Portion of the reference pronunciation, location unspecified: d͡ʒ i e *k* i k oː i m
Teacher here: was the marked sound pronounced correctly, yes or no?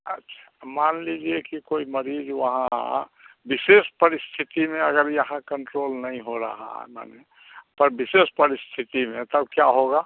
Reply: yes